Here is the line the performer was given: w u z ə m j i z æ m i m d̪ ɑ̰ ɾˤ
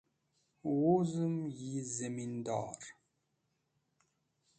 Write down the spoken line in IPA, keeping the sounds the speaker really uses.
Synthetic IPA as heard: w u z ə m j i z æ m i n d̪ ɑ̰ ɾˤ

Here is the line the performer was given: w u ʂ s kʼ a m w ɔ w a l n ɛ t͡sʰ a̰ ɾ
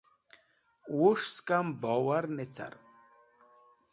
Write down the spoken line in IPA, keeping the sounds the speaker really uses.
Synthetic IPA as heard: w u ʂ s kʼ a m b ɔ w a ɾ n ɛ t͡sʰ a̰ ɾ

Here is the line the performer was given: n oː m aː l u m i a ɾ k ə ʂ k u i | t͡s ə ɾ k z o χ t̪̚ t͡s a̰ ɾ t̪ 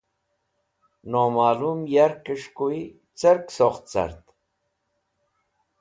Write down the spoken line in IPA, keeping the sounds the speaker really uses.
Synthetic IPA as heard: n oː m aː l u m j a ɾ k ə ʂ k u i | t͡s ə ɾ k s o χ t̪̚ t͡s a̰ ɾ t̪

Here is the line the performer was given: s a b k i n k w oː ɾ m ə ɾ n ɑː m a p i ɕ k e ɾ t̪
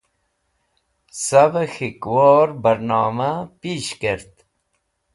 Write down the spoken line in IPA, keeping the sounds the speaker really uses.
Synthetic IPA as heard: s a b x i k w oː ɾ b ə ɾ n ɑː m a p i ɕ k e ɾ t̪

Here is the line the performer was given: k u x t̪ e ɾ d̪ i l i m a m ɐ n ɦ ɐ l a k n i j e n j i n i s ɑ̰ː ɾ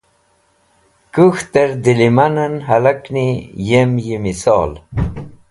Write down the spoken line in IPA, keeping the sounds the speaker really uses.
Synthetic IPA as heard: k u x t̪ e ɾ d̪ i l i m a n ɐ n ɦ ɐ l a k n i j e m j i m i s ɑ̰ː l

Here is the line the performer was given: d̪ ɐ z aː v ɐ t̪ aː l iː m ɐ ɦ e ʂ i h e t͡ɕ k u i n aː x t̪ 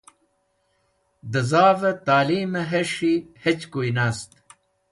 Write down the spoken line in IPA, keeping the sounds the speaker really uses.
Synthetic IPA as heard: d̪ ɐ z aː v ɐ t̪ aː l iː m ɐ ɦ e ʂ i h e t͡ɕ k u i n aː s t̪

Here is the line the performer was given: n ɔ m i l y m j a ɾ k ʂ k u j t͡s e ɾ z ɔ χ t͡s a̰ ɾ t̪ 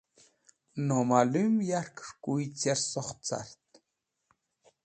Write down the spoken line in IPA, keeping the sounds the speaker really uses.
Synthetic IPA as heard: n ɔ m a l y m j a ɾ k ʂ k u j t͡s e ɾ s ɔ χ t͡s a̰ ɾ t̪

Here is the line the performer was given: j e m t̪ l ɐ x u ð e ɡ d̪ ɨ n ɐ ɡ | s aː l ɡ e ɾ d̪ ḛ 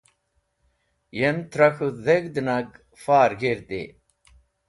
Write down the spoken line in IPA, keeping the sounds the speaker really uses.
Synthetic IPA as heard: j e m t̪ ɾ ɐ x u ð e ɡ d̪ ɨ n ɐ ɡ | f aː ɾ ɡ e ɾ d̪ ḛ

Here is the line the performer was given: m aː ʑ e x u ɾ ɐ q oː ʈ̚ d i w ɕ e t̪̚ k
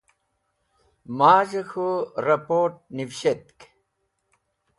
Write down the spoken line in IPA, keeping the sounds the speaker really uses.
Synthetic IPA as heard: m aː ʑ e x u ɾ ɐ p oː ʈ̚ n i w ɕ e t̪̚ k

